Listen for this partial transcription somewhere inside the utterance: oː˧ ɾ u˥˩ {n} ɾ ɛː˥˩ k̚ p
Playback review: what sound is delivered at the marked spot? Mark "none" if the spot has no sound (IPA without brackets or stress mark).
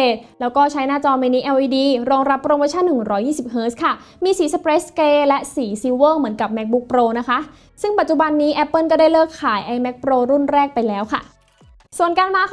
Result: n